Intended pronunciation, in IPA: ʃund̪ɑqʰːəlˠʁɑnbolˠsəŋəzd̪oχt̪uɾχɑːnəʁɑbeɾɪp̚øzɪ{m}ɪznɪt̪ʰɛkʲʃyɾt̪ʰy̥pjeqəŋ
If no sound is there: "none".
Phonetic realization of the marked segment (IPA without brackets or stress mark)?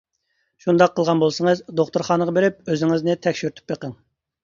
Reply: ŋ